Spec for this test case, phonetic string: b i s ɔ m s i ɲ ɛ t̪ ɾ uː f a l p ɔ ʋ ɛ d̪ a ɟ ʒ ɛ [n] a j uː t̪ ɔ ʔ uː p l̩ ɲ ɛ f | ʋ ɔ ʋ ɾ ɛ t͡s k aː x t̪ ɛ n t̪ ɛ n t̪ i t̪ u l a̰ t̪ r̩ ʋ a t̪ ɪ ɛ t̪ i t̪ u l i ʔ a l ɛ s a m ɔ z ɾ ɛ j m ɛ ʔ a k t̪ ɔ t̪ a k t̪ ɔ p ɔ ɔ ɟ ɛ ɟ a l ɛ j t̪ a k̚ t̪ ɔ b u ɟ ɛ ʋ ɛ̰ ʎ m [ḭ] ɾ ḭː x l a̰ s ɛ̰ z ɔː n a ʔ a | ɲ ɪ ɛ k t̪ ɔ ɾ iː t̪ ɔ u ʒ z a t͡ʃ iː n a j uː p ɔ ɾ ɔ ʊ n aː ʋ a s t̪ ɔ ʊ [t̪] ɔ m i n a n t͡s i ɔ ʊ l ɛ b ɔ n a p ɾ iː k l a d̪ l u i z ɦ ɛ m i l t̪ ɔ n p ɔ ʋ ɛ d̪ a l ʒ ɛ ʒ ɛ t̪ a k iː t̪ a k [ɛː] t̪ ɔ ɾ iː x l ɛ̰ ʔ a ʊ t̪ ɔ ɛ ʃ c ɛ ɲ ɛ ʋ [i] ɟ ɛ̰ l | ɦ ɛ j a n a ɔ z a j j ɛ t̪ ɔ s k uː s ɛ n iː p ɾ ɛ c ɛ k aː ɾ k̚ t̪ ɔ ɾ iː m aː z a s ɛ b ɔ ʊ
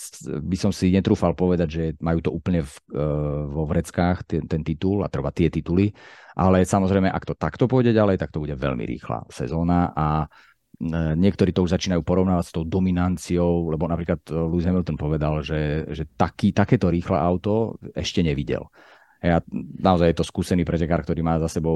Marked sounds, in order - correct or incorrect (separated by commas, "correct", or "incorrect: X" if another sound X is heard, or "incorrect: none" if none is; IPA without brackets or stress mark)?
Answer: incorrect: m, correct, incorrect: d̪, correct, correct